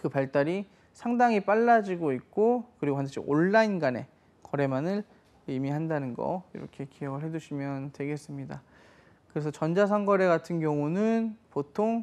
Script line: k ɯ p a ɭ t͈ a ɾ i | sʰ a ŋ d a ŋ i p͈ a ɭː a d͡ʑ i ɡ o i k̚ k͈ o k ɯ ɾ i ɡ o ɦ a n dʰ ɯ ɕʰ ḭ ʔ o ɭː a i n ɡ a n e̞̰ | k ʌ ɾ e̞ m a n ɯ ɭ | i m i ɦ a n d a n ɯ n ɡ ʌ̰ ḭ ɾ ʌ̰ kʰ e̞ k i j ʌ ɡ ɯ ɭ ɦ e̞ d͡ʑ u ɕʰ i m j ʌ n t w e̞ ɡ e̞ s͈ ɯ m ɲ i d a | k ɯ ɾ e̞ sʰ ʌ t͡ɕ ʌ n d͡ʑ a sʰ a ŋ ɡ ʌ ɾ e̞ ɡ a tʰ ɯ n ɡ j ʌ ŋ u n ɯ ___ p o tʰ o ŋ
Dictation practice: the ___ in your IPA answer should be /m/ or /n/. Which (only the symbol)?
n